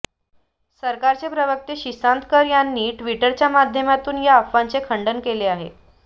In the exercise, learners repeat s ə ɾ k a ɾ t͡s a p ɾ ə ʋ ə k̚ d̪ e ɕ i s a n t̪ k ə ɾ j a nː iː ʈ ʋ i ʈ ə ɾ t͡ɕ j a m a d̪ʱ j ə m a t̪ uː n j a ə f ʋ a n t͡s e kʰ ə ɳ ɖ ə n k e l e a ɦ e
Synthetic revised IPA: s ə ɾ k a ɾ t͡s e p ɾ ə ʋ ə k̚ t̪ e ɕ i s a n t̪ k ə ɾ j a nː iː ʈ ʋ i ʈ ə ɾ t͡ɕ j a m a d̪ʱ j ə m a t̪ uː n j a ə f ʋ a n t͡s e kʰ ə ɳ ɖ ə n k e l e a ɦ e